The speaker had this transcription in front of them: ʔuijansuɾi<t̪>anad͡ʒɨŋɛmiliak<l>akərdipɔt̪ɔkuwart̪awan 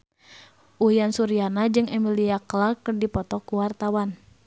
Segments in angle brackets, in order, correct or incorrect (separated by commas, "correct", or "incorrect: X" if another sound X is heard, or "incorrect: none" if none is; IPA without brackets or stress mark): incorrect: none, correct